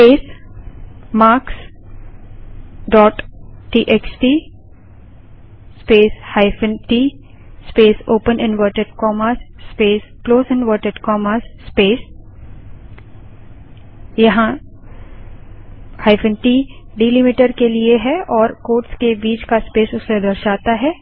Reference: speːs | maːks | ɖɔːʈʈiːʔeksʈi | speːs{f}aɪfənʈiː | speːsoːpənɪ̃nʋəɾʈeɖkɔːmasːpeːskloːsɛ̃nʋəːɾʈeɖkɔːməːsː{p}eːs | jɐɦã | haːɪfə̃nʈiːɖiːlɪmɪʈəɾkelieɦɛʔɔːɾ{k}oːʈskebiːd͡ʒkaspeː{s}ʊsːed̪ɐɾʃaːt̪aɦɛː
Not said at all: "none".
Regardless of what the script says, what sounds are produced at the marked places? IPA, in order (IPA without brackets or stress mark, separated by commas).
h, p, k, s